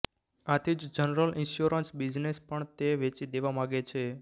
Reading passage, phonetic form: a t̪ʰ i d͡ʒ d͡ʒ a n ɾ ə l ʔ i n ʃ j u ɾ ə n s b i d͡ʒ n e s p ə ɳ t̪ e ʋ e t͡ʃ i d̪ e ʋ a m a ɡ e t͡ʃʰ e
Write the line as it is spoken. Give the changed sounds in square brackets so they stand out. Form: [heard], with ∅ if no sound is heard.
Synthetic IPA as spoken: a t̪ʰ i d͡ʒ d͡ʒ [ə] n ɾ ə l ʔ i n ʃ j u ɾ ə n s b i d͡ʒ n e s p ə ɳ t̪ e ʋ e t͡ʃ i d̪ e ʋ a m a ɡ e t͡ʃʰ e